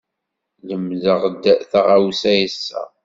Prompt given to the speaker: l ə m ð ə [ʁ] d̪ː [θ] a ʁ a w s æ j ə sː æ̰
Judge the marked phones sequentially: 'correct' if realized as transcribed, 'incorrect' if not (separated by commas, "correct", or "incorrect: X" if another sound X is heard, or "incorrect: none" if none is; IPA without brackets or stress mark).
correct, correct